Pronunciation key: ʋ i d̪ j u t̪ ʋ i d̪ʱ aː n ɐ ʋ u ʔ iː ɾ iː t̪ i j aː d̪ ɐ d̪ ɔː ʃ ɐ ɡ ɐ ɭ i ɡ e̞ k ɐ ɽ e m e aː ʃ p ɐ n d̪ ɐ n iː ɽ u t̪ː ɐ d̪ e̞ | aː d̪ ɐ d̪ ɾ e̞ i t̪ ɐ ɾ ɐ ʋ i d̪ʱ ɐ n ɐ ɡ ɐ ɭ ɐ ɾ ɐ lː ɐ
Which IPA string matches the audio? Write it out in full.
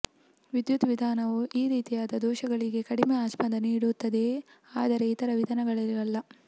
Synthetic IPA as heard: ʋ i d̪ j u t̪ ʋ i d̪ʱ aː n ɐ ʋ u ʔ iː ɾ iː t̪ i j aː d̪ ɐ d̪ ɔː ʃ ɐ ɡ ɐ ɭ i ɡ e̞ k ɐ ɽ i m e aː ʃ p ɐ n d̪ ɐ n iː ɽ u t̪ː ɐ d̪ e̞ | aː d̪ ɐ ɾ e̞ i t̪ ɐ ɾ ɐ ʋ i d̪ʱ ɐ n ɐ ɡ ɐ ɭ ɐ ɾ ɐ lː ɐ